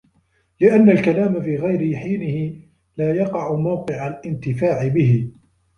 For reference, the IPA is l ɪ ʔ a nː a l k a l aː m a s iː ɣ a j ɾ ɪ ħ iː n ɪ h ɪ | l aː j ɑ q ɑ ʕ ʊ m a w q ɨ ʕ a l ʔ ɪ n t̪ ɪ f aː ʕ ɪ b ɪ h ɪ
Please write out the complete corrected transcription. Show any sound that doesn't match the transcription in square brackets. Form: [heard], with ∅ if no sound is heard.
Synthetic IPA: l ɪ ʔ a nː a l k a l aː m a [f] iː ɣ a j ɾ ɪ ħ iː n ɪ h ɪ | l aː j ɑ q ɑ ʕ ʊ m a w q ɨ ʕ a l ʔ ɪ n t̪ ɪ f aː ʕ ɪ b ɪ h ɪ